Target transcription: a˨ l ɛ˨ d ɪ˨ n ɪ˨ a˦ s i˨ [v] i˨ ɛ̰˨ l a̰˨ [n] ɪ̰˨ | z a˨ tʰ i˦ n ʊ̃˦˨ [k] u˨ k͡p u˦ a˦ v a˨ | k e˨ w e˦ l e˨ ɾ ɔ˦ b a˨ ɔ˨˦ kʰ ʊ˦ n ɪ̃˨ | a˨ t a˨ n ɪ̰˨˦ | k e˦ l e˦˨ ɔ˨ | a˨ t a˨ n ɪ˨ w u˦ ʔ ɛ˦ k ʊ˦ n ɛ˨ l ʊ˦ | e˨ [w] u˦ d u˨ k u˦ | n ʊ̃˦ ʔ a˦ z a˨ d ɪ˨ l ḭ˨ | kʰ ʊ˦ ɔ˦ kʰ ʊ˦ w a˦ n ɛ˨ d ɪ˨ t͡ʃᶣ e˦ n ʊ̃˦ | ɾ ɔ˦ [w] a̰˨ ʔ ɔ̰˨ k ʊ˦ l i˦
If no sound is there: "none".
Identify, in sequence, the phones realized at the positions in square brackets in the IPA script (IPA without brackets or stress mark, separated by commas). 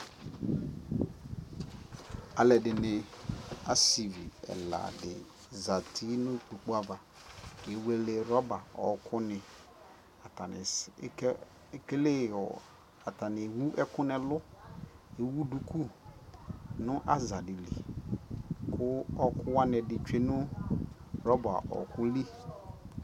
v, d, k͡p, w, b